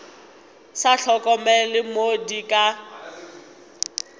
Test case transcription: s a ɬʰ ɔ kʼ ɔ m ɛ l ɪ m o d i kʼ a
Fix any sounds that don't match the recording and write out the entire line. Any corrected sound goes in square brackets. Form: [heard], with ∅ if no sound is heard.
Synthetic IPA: s a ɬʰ ɔ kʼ ɔ m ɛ l ɪ m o d i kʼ a